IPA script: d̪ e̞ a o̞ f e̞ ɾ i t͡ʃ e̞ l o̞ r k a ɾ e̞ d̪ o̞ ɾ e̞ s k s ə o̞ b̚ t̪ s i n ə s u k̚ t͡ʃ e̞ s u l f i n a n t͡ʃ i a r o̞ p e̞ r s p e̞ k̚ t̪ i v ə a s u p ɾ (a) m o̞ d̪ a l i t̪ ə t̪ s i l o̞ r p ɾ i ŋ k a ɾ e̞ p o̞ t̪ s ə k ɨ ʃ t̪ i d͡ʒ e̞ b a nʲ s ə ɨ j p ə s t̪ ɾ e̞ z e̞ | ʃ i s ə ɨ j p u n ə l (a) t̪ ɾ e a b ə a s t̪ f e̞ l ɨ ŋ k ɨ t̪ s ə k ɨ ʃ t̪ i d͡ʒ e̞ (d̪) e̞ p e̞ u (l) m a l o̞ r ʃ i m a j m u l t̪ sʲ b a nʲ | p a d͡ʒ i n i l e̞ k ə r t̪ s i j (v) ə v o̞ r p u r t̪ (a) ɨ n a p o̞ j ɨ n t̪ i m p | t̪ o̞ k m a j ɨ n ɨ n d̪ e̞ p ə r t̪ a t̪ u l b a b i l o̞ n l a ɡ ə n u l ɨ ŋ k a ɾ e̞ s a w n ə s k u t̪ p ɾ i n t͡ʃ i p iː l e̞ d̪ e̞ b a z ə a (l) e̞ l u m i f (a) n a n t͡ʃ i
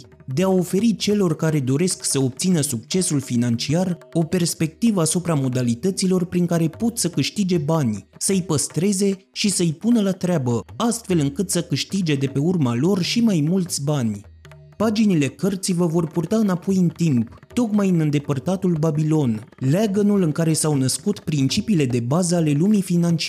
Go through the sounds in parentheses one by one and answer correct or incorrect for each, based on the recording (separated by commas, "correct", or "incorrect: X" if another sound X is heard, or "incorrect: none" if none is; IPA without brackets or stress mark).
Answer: correct, correct, correct, incorrect: r, correct, correct, correct, incorrect: i